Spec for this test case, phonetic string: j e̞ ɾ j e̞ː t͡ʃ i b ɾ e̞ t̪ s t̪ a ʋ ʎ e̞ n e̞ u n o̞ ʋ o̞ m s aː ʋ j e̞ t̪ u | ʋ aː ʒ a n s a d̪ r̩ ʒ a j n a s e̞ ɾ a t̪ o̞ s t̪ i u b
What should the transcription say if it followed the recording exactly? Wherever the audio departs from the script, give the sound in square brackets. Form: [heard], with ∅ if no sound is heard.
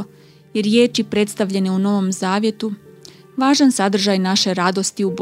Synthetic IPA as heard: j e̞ ɾ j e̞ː t͡ʃ i [p] ɾ e̞ t̪ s t̪ a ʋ ʎ e̞ n e̞ u n o̞ ʋ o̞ m [z] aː ʋ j e̞ t̪ u | ʋ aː ʒ a n s a d̪ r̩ ʒ a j n a [ʃ] e̞ ɾ a [d̪] o̞ s t̪ i u b